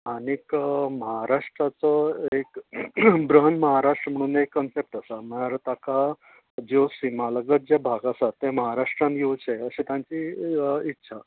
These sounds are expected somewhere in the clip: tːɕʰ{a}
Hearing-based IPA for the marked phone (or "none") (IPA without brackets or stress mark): a